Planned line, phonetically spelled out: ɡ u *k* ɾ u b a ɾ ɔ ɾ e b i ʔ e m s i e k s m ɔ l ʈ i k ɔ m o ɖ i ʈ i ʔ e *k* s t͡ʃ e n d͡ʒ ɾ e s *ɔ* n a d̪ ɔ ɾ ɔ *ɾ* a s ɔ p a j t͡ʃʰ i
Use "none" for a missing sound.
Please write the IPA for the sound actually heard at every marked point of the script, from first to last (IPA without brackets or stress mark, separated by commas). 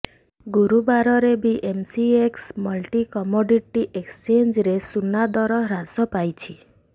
none, k, u, ɾ